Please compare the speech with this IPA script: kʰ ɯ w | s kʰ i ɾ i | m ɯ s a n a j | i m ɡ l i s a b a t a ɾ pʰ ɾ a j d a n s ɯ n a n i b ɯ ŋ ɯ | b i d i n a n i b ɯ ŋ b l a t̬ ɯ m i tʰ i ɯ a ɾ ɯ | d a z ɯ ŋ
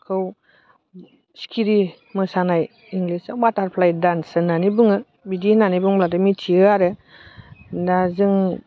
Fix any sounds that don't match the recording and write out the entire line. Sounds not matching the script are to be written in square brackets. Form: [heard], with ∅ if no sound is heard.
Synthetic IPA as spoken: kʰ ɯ w | s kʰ i ɾ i | m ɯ s a n a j | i [ŋ] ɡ l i s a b a t a ɾ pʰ [l] a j d a n s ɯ n a n i b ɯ ŋ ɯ | b i d i n a n i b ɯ ŋ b l a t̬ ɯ m i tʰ i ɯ a ɾ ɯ | d a z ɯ ŋ